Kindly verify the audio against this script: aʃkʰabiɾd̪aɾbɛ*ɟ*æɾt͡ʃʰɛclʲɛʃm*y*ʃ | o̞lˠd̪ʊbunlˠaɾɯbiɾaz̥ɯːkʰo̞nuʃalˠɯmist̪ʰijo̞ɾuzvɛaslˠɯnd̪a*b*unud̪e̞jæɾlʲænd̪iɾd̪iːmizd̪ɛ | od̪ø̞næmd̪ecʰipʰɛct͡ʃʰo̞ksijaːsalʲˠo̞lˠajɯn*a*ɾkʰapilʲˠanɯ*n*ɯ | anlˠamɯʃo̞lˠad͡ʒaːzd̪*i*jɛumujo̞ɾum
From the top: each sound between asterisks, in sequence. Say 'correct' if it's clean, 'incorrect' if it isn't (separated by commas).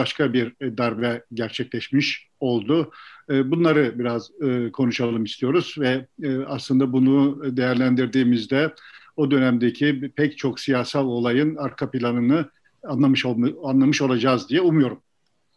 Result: correct, incorrect, correct, correct, correct, correct